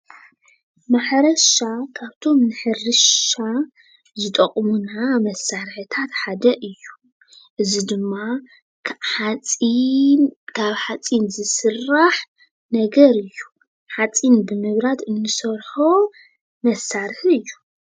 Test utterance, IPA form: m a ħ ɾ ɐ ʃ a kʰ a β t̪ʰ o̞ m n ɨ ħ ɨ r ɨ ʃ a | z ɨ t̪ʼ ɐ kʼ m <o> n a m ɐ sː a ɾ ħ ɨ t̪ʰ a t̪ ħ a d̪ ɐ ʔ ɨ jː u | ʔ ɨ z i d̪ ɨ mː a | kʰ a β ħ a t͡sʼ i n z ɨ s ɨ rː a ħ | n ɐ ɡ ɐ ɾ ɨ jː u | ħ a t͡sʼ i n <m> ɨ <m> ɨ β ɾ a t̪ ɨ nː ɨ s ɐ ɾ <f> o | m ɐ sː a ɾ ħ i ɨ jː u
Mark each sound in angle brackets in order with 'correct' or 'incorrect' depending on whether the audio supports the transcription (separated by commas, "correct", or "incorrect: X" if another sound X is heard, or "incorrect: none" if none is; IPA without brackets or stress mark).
incorrect: u, incorrect: b, correct, incorrect: ħ